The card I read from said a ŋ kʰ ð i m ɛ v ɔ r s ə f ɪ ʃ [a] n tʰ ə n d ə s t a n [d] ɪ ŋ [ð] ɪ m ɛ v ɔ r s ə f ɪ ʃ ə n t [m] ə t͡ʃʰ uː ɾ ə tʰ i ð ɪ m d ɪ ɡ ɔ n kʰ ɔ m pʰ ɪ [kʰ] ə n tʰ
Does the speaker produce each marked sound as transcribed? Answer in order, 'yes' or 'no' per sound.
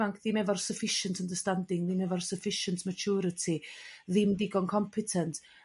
no, yes, yes, yes, no

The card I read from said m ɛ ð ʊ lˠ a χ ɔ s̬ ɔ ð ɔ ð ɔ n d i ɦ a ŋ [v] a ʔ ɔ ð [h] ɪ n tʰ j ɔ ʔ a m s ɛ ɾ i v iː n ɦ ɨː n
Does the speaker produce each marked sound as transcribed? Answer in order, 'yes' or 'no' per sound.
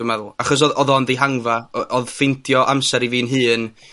yes, no

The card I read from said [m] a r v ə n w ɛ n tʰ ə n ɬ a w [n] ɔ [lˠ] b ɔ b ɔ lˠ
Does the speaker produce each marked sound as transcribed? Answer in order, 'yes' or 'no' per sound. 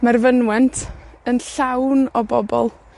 yes, yes, no

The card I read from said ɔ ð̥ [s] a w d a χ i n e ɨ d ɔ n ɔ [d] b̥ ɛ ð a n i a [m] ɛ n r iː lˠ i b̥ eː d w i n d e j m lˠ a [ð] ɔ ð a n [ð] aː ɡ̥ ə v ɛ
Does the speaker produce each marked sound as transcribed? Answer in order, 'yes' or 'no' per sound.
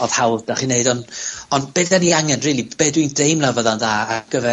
no, no, no, no, yes

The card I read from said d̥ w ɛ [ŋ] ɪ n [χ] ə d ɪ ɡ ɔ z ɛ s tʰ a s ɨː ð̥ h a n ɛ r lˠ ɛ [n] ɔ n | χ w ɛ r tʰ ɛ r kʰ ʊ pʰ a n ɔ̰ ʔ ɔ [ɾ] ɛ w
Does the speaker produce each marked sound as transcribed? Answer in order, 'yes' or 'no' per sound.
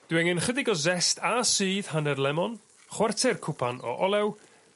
yes, yes, no, no

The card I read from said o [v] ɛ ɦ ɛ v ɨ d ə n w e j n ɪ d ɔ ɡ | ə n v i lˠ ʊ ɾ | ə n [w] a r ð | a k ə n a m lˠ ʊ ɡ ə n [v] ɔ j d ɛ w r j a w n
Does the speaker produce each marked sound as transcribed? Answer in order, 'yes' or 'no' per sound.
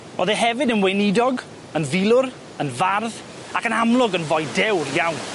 no, no, yes

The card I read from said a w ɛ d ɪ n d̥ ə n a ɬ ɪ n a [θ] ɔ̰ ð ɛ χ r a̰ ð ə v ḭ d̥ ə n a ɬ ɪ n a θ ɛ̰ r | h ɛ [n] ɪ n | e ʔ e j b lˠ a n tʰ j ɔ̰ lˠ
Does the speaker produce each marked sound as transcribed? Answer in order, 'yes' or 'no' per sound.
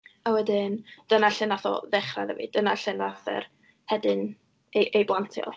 yes, no

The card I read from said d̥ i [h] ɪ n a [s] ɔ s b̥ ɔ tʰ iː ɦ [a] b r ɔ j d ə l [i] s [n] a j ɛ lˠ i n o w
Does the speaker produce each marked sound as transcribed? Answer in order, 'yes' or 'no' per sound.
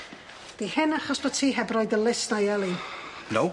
yes, no, no, no, yes

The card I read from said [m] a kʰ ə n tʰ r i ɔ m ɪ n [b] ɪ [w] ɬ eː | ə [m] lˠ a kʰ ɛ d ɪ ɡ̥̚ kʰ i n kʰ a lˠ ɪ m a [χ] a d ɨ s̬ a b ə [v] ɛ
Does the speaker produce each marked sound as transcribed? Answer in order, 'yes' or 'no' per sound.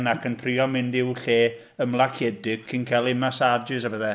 no, no, yes, yes, no, no

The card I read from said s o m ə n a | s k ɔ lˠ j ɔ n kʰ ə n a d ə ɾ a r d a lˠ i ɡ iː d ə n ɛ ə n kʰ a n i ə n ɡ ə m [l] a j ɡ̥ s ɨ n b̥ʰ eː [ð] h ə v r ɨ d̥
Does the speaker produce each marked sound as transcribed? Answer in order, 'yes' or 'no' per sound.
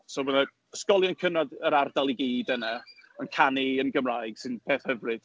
no, no

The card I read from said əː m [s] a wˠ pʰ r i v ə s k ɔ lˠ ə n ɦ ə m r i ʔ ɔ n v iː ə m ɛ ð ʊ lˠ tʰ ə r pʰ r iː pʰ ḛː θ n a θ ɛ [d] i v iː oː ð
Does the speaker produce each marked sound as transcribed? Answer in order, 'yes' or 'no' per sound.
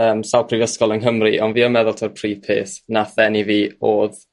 yes, no

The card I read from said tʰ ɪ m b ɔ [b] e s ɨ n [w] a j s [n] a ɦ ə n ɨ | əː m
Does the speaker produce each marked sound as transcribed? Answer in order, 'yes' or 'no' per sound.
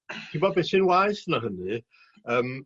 yes, yes, yes

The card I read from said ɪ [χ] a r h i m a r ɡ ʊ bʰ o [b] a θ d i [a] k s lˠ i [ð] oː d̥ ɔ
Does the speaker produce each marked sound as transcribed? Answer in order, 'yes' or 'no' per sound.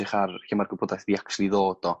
yes, no, yes, yes

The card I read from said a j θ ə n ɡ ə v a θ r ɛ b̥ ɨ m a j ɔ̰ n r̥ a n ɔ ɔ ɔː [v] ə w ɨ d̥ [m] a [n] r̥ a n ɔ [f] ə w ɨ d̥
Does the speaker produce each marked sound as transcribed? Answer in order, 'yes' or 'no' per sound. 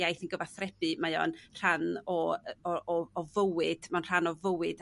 yes, yes, yes, no

